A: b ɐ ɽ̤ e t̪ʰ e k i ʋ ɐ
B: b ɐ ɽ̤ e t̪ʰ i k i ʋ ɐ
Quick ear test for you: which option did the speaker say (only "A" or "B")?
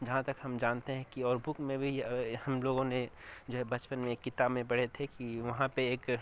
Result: A